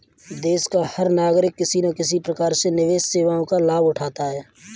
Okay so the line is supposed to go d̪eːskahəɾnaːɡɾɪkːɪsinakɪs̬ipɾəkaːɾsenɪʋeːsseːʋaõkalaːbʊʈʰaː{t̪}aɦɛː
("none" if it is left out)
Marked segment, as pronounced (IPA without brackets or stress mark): t̪